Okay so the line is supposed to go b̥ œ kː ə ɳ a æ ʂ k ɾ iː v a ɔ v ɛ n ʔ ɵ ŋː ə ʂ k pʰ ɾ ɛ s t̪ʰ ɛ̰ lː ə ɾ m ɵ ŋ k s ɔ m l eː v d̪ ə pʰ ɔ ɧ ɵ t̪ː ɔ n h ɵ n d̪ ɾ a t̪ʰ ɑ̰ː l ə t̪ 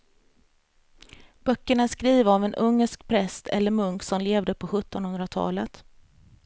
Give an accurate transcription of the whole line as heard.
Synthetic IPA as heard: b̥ œ kː ə ɳ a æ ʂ k ɾ iː v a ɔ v ɛ n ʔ ɵ ŋː ə ʂ k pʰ ɾ ɛ s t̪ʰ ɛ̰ lː ə ɾ m ɵ ŋ k s ɔ m l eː v d̪ ə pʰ ɔ ɧ ɵ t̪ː ɔ n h ɵ n d̪ ɾ a t̪ʰ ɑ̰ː l ə t̪